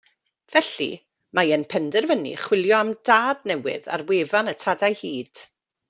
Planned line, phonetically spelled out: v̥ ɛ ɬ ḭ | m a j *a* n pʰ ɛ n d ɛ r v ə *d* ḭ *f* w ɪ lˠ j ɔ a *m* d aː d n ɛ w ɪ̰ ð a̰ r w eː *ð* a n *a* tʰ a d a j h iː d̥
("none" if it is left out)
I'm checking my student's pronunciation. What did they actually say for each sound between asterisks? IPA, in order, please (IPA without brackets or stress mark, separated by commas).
ə, n, χ, m, v, ə